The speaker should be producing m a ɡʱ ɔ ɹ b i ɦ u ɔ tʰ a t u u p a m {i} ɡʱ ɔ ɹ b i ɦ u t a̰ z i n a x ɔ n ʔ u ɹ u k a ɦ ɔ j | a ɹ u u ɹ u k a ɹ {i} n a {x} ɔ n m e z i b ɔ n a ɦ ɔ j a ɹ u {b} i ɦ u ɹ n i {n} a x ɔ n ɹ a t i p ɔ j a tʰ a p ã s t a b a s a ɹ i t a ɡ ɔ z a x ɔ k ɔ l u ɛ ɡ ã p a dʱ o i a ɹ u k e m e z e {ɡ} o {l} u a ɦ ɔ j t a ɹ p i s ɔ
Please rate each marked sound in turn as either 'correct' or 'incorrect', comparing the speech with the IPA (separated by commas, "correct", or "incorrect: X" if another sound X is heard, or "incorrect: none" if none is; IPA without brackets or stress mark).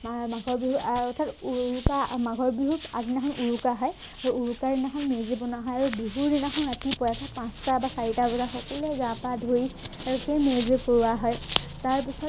incorrect: a, correct, correct, correct, correct, incorrect: k, incorrect: ɹ